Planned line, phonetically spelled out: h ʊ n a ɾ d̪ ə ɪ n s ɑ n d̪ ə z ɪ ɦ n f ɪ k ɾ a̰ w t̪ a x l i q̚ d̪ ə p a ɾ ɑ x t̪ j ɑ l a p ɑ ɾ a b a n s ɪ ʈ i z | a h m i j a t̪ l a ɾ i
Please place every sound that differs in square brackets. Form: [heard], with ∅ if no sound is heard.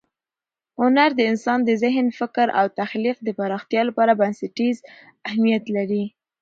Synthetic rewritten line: h ʊ n a ɾ d̪ ə ɪ n s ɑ n d̪ ə z ɪ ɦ n f ɪ k ɾ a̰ w t̪ a x l i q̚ d̪ ə p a ɾ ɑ x t̪ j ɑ l a p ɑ ɾ a b a n s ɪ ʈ i z | a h m i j a t̪ l a ɾ i